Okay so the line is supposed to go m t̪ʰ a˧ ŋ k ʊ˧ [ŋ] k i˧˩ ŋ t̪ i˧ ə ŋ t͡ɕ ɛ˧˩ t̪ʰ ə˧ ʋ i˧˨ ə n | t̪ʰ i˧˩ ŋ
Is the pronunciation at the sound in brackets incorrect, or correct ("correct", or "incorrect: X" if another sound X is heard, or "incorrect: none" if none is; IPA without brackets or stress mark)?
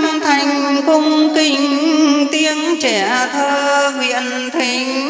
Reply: correct